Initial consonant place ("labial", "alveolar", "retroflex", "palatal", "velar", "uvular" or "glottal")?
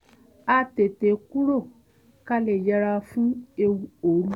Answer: alveolar